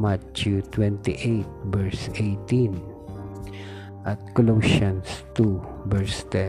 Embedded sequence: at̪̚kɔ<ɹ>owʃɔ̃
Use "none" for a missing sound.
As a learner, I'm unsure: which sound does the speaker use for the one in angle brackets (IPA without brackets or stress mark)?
l